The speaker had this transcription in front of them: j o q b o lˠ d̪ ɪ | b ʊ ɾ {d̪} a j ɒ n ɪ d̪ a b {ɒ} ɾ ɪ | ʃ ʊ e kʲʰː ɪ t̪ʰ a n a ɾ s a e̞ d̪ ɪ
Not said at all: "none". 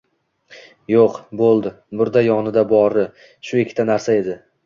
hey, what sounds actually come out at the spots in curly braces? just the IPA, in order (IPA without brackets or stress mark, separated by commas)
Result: d̪, ɒ